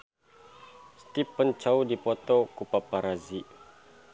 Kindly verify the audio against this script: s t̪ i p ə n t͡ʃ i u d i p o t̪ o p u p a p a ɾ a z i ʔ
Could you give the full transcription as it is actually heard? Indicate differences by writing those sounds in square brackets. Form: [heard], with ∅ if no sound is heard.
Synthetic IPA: s t̪ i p ə n t͡ʃ [a] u d i p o t̪ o [k] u p a p a ɾ a z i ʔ